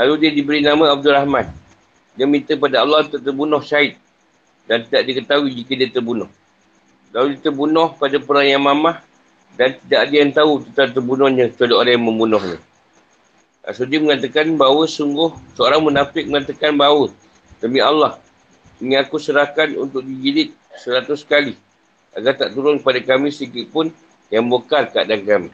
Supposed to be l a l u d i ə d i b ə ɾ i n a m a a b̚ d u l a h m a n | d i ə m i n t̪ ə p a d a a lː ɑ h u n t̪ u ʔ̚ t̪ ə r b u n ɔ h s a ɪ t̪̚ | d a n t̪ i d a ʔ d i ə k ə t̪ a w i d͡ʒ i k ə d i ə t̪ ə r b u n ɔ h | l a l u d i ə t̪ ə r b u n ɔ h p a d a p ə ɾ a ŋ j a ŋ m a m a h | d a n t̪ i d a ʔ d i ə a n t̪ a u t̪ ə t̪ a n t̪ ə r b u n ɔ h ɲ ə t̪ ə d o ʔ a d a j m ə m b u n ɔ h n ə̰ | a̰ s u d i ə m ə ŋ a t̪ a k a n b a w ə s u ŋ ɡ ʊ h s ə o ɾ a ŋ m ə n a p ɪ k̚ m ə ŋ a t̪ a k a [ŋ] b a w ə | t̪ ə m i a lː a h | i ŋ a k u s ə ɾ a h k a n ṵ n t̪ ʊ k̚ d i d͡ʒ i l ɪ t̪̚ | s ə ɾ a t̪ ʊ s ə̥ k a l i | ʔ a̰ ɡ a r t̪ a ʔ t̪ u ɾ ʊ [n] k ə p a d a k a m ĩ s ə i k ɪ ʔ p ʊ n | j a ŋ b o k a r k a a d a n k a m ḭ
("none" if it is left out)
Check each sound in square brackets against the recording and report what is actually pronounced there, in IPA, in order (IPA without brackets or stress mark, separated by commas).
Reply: n, n